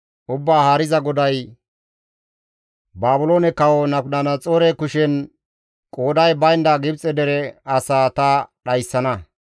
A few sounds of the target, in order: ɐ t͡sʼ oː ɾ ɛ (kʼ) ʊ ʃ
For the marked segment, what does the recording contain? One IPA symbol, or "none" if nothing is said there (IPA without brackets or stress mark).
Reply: k